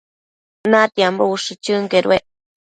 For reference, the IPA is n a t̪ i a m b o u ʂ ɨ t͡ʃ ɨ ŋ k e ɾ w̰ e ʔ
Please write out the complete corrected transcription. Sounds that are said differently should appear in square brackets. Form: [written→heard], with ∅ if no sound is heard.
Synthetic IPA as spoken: n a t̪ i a m b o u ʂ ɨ t͡ʃ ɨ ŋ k e ɾ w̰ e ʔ